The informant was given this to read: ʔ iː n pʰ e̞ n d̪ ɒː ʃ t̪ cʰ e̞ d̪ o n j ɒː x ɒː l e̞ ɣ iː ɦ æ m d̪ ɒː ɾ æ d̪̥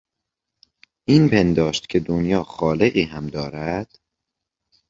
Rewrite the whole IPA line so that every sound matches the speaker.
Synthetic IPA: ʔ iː n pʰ e̞ n d̪ ɒː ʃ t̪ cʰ e̞ d̪ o n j ɒː x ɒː l e̞ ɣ iː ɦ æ m d̪ ɒː ɾ æ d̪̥